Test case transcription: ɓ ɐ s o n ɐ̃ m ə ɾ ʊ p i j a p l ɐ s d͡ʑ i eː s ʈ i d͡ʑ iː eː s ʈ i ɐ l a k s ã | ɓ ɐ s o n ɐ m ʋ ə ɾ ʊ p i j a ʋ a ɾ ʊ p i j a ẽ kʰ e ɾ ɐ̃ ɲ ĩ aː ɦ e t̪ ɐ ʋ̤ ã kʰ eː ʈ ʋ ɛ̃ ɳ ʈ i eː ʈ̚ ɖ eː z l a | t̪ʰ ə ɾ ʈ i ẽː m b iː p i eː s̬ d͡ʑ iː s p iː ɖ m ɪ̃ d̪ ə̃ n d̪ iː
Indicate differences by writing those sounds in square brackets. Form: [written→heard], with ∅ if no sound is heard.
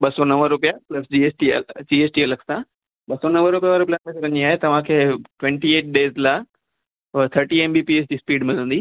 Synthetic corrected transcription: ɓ ɐ s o n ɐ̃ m ə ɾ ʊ p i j a p l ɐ s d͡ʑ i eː s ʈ i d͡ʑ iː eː s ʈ i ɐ l [a→ə] k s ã | ɓ ɐ s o n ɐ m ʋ ə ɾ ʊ p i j a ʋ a ɾ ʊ p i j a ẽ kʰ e ɾ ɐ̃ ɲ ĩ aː ɦ e t̪ ɐ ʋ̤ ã kʰ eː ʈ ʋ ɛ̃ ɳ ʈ i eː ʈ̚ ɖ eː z l a | t̪ʰ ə ɾ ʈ i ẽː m b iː p i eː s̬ d͡ʑ iː s p iː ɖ m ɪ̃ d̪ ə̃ n d̪ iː